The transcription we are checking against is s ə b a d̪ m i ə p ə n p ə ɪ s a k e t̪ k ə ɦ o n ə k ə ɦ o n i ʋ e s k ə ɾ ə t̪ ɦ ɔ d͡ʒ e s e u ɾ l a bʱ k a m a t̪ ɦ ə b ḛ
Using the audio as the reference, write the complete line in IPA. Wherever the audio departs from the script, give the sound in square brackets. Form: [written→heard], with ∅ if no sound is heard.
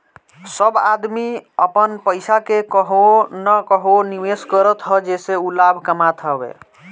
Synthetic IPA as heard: s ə b a d̪ m i ə p ə n p ə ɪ s a k e [t̪→∅] k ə ɦ o n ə k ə ɦ o n i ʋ e s k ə ɾ ə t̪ ɦ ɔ d͡ʒ e s e u [ɾ→∅] l a bʱ k [a→ə] m a t̪ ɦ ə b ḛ